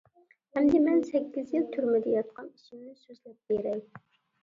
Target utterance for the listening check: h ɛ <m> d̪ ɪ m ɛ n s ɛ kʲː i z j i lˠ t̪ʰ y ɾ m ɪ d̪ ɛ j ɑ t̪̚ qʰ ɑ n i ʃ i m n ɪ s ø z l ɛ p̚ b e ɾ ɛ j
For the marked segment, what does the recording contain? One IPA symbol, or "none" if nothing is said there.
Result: m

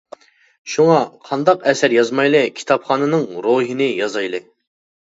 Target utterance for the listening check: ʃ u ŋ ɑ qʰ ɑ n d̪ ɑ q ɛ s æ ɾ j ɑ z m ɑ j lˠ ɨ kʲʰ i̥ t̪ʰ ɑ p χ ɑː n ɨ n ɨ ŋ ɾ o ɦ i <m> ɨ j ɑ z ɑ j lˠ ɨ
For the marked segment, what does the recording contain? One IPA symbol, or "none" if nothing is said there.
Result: n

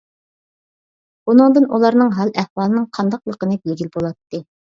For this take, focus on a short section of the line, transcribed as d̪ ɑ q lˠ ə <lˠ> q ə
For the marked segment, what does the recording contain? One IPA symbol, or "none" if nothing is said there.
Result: none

